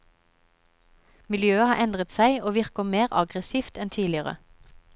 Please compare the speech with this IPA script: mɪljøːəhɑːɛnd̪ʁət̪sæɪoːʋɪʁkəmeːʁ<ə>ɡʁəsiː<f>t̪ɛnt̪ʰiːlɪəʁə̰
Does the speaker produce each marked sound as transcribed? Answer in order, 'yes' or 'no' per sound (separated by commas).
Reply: no, yes